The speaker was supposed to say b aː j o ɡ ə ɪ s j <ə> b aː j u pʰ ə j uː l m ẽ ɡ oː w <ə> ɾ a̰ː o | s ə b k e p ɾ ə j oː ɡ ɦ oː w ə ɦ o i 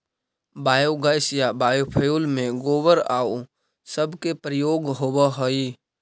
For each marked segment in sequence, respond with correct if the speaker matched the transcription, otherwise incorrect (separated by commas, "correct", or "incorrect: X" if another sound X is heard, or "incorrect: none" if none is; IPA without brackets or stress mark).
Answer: incorrect: a, correct